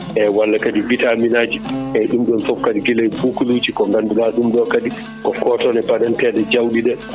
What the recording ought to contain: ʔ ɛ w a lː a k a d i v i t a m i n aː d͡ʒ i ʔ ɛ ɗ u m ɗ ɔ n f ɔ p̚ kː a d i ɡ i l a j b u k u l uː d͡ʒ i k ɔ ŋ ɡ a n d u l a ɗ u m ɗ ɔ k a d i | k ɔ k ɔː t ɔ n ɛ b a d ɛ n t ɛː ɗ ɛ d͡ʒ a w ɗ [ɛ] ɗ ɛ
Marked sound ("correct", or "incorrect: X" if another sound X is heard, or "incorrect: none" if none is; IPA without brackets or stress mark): incorrect: i